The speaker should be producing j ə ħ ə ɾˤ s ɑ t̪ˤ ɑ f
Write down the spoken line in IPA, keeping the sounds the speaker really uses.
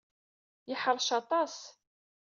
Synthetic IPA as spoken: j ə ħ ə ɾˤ ʃ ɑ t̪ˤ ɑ s